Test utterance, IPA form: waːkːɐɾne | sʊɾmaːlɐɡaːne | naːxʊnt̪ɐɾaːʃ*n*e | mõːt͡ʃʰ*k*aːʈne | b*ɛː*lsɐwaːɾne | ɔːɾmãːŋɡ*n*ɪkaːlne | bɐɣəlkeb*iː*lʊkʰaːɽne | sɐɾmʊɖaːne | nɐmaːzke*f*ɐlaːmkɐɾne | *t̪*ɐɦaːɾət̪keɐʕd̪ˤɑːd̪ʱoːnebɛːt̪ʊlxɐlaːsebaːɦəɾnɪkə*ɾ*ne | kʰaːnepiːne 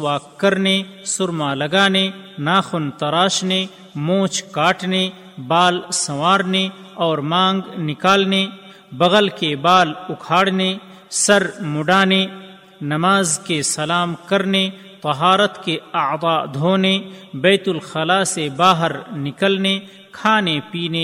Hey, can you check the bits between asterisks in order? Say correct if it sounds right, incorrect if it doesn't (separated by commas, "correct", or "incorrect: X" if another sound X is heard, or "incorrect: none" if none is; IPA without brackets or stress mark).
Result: correct, correct, incorrect: aː, correct, incorrect: aː, incorrect: s, correct, incorrect: l